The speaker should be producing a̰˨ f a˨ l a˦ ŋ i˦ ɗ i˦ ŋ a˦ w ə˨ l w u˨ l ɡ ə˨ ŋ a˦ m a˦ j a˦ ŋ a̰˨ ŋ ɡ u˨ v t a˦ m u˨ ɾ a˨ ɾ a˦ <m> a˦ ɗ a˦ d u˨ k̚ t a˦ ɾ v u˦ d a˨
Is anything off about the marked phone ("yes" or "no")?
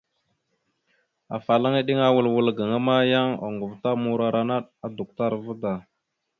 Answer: yes